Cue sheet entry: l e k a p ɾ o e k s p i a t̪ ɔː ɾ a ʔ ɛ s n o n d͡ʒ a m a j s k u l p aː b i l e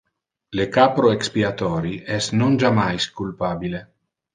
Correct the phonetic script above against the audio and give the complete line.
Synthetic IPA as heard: l e k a p ɾ o e k s p i a t̪ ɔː ɾ i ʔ ɛ s n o n d͡ʒ a m a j s k u l p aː b i l e